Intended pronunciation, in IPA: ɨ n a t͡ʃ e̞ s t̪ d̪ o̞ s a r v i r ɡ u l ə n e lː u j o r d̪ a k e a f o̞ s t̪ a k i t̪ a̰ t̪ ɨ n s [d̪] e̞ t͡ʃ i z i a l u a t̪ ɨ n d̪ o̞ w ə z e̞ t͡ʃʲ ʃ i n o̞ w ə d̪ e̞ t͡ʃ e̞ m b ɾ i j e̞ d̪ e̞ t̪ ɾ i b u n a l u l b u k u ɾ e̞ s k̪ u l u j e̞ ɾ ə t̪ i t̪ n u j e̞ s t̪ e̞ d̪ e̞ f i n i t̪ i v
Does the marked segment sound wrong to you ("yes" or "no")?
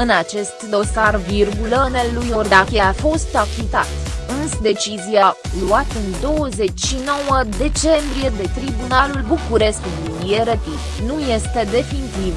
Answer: no